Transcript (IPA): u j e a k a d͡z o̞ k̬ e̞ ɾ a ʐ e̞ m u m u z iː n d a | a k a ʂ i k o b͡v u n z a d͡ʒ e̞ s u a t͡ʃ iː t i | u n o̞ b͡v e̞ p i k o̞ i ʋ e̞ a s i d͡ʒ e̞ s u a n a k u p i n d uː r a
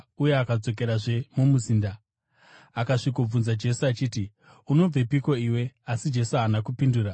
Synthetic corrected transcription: u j e a k a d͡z o̞ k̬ e̞ ɾ a ʐ e̞ m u m u z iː n d a | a k a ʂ i k o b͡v u n z a d͡ʒ e̞ s u a t͡ʃ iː t i | u n o̞ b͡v e̞ p i k o̞ i w e̞ a s i d͡ʒ e̞ s u a n a k u p i n d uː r a